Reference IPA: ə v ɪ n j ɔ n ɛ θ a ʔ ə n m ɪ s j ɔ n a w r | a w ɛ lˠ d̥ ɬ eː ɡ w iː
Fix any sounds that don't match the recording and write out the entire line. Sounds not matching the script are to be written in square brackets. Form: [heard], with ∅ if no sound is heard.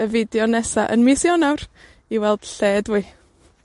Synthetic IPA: ə v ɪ [d] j ɔ n ɛ [s] a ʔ ə n m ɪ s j ɔ n a w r | [i] w ɛ lˠ d̥ ɬ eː [d] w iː